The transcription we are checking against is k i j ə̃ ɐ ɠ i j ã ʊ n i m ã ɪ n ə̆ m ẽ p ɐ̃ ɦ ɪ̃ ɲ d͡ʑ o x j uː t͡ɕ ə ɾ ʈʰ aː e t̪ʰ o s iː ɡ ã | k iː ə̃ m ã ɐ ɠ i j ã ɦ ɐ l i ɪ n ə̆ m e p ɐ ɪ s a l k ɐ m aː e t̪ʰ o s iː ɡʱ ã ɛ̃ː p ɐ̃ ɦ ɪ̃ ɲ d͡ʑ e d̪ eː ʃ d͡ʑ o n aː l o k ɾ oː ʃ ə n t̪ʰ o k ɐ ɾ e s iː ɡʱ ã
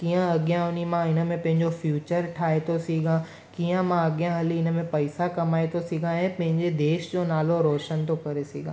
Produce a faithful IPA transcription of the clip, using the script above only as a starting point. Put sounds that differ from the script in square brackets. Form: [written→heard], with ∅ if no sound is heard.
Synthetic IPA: k i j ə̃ ɐ ɠ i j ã ʊ n i m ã ɪ n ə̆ m ẽ p ɐ̃ ɦ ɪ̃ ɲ d͡ʑ o [x→f] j uː t͡ɕ ə ɾ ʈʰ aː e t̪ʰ o s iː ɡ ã | k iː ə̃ m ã ɐ ɠ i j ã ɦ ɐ l i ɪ n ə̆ m [e→ẽ] p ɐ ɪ s a [l→∅] k ɐ m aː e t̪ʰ o s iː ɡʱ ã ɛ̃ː p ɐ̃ ɦ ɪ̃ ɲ d͡ʑ e d̪ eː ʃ d͡ʑ o n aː l o [k→∅] ɾ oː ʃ ə n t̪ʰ o k ɐ ɾ e s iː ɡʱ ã